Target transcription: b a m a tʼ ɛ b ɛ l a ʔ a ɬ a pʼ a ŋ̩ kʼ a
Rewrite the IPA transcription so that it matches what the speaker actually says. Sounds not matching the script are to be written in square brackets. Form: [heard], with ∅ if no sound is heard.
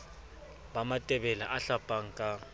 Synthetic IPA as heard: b a m a tʼ ɛ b ɛ l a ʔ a ɬ a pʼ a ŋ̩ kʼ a